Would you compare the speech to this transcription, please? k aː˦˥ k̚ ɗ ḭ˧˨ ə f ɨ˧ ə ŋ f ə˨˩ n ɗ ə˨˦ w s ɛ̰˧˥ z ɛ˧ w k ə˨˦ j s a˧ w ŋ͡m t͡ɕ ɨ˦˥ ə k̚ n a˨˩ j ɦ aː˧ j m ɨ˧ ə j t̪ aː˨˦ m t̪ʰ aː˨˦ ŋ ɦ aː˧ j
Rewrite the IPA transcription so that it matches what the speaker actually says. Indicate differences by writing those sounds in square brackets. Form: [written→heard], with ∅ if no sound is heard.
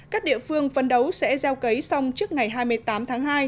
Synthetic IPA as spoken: k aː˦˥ k̚ ɗ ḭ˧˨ ə f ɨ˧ ə ŋ f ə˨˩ n ɗ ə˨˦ w s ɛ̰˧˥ z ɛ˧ w k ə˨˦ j s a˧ w ŋ͡m t͡ɕ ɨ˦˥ ə k̚ [n→ŋ] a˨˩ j ɦ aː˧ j m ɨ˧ ə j t̪ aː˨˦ m t̪ʰ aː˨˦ ŋ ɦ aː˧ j